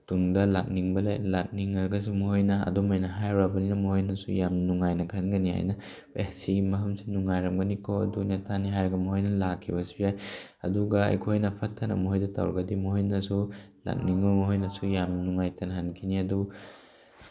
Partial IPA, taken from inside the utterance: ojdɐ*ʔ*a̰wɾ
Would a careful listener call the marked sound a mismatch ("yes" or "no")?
yes